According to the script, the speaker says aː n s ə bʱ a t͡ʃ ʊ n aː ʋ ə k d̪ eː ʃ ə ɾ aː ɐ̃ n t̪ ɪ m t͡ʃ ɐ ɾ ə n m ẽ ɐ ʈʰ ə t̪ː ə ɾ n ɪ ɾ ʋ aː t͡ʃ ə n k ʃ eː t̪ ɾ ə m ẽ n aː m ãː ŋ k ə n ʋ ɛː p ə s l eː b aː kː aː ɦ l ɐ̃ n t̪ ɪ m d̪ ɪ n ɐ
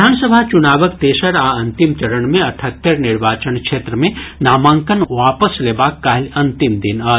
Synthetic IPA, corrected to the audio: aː n s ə bʱ a t͡ʃ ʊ n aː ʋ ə k t̪ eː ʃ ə ɾ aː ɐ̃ n t̪ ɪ m t͡ʃ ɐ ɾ ə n m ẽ ɐ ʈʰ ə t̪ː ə ɾ n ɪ ɾ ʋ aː t͡ʃ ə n k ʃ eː t̪ ɾ ə m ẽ n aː m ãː ŋ k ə n ʋ aː p ə s l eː b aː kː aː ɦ l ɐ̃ n t̪ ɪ m d̪ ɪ n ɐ